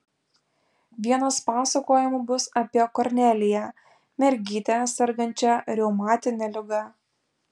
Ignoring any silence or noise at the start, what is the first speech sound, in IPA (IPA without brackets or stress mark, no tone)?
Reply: ʋʲ